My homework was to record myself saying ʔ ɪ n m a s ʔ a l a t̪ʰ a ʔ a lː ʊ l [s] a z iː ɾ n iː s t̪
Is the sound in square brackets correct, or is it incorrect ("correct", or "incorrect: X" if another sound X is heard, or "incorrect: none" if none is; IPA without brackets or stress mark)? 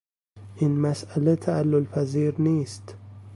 incorrect: f